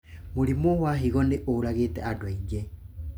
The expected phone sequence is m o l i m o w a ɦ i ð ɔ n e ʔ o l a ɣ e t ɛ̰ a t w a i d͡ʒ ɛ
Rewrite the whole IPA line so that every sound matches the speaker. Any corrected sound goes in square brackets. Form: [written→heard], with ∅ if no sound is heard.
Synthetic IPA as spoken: m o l i m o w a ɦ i [ð→ɣ] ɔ n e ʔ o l a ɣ e t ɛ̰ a [t→d] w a i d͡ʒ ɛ

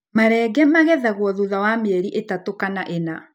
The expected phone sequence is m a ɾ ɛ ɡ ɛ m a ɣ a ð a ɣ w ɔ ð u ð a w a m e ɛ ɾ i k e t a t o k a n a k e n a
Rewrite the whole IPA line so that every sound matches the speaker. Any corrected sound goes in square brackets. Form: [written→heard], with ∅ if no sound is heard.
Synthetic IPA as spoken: m a ɾ ɛ ɡ ɛ m a ɣ [a→ɛ] ð a ɣ w ɔ ð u ð a w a m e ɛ ɾ i [k→ʔ] e t a t o k a n a [k→ʔ] e n a

